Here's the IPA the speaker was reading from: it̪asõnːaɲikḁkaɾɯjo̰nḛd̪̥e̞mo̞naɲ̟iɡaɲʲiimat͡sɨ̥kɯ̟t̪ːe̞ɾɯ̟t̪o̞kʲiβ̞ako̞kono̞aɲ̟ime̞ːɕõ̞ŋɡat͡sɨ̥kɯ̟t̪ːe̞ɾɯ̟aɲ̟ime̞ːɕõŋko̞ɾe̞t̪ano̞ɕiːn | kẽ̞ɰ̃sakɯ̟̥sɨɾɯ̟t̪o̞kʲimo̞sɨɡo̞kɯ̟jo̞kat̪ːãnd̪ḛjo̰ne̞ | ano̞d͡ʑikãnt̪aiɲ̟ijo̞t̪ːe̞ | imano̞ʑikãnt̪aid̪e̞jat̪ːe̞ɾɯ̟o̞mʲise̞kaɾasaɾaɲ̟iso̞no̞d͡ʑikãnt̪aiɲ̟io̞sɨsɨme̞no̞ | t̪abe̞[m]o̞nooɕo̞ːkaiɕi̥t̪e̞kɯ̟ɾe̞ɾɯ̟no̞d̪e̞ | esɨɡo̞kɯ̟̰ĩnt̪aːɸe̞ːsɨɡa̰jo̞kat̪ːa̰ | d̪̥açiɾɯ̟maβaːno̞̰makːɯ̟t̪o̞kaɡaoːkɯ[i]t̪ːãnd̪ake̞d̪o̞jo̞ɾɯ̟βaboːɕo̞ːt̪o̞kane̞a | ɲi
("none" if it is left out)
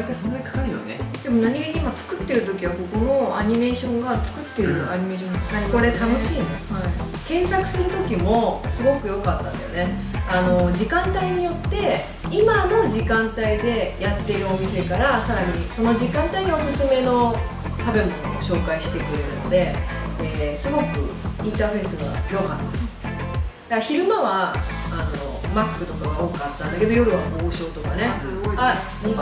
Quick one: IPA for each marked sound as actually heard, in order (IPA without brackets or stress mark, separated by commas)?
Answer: m, a